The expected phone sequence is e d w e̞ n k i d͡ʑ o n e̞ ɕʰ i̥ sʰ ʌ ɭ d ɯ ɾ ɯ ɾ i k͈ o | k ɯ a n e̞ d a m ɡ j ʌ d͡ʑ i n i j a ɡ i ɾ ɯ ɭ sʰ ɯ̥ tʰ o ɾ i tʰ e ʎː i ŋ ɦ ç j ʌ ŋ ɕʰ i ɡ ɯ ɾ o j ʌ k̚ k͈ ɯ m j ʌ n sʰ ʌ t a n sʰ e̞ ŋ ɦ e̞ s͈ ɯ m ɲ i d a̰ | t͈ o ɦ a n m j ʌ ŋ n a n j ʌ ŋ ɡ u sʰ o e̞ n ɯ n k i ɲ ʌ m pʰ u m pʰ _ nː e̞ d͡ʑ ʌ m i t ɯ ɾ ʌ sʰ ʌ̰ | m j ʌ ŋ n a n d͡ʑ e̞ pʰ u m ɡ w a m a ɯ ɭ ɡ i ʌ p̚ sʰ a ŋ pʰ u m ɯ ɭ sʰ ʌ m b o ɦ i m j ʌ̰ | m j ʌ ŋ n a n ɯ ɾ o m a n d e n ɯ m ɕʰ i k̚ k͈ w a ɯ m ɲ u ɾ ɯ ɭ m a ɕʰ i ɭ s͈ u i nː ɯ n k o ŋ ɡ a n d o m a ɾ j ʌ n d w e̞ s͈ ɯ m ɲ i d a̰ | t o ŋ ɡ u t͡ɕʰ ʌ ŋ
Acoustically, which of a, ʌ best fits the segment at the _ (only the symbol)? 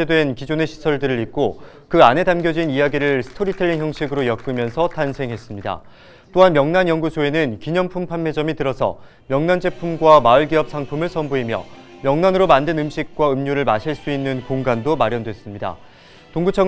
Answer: a